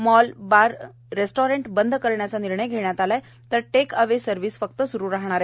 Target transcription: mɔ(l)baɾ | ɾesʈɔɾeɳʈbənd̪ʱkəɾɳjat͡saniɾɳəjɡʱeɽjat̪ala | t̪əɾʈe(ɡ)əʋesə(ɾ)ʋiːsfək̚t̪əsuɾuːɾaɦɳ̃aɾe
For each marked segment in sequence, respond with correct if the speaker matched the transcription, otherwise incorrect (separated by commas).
correct, incorrect, correct